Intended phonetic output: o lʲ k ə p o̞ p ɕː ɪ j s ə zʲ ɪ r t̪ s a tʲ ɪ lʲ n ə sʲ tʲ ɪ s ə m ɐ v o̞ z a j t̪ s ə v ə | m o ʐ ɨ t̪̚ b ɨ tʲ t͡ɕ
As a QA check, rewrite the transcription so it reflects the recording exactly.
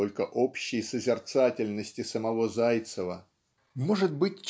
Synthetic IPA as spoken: o lʲ k ə ʔ o̞ p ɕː ɪ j s ə zʲ ɪ r t̪ s a tʲ ɪ lʲ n ə sʲ tʲ ɪ s ə m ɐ v o̞ z a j t̪ s ə v ə | m o ʐ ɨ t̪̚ b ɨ tʲ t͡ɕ